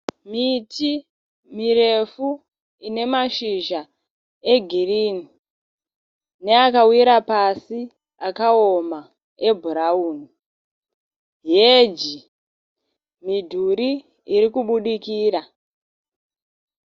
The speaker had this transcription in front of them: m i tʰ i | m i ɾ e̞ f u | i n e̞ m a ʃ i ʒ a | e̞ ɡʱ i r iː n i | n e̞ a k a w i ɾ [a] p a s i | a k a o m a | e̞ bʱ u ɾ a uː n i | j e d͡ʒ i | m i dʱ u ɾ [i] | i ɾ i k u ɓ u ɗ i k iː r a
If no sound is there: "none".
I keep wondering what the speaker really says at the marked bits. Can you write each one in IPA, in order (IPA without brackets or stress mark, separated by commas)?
a, i